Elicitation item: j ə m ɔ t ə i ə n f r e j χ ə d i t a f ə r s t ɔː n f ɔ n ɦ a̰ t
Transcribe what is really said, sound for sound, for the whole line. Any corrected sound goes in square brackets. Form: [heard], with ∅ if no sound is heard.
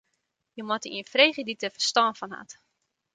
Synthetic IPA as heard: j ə m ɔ t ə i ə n f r e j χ ə d i t [ə] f ə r s t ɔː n f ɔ n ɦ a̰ t